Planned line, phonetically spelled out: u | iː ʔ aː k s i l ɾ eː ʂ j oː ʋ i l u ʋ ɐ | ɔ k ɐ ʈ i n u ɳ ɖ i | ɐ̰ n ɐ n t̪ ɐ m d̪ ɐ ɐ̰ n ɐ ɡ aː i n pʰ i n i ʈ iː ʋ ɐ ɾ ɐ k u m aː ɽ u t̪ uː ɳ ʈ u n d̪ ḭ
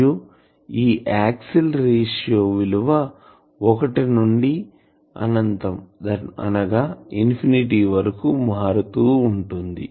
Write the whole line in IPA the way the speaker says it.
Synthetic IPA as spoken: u | iː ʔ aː k s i l ɾ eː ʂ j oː ʋ i l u ʋ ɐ | ɔ k ɐ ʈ i n u ɳ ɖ i | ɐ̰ n ɐ n t̪ ɐ m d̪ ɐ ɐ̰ n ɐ ɡ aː i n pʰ i n i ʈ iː ʋ ɐ ɾ ɐ k u m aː ɾ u t̪ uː ɳ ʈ u n d̪ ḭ

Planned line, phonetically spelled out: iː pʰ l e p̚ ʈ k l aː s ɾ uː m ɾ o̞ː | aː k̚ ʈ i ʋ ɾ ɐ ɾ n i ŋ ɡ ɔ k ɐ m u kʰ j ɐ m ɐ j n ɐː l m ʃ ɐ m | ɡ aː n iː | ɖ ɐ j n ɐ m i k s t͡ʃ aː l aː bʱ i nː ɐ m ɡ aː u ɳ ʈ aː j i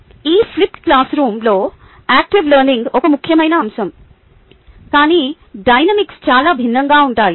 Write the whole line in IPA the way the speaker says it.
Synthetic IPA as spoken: iː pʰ l i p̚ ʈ k l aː s ɾ uː m l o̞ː | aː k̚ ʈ i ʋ l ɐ ɾ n i ŋ ɡ ɔ k ɐ m u kʰ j ɐ m ɐ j n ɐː m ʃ ɐ m | k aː n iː | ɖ ɐ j n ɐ m i k s t͡ʃ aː l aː bʱ i nː ɐ ŋ ɡ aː u ɳ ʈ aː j i

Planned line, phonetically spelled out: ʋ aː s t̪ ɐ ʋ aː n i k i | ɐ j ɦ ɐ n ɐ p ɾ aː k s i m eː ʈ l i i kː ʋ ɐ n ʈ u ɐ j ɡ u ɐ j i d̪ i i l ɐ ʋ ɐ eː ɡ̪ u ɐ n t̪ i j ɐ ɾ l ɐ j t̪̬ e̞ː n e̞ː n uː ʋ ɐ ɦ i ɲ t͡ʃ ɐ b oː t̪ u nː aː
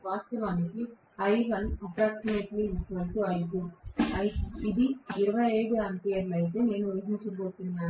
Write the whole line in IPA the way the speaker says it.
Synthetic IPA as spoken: ʋ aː s t̪ ɐ ʋ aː n i k i | ɐ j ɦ ɐ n ɐ p ɾ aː k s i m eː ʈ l i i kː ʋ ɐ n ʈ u ɐ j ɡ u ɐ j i d̪ i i ɾ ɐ ʋ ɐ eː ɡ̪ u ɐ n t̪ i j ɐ ɾ l ɐ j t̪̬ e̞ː n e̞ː n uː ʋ ɐ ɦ i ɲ t͡ʃ ɐ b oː t̪ u nː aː

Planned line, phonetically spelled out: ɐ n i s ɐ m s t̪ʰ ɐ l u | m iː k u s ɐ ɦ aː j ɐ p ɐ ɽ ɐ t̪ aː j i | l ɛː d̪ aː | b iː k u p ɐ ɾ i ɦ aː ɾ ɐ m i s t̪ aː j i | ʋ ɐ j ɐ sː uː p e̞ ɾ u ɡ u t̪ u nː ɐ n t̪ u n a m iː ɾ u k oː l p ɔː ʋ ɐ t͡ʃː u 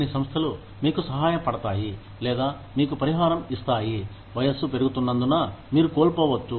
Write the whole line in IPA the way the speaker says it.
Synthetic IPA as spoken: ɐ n i s ɐ m s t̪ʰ ɐ l u | m iː k u s ɐ ɦ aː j ɐ p ɐ ɽ ɐ t̪ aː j i | l ɛː d̪ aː | m iː k u p ɐ ɾ i ɦ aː ɾ ɐ m i s t̪ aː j i | ʋ ɐ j ɐ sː u p e̞ ɾ u ɡ u t̪ u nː ɐ n d̪ u n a m iː ɾ u k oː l p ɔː ʋ ɐ t͡ʃː u

